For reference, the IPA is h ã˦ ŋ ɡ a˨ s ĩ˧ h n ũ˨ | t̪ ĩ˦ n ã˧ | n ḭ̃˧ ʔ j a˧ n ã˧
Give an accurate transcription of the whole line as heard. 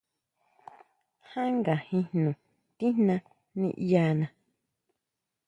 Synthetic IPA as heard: h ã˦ ŋ ɡ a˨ h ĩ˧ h n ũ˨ | t̪ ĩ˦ n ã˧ | n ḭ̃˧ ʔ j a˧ n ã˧